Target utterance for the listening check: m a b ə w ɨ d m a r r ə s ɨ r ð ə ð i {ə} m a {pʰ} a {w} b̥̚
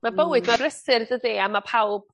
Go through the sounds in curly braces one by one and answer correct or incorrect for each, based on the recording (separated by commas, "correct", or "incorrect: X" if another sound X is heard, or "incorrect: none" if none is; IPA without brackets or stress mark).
incorrect: a, correct, correct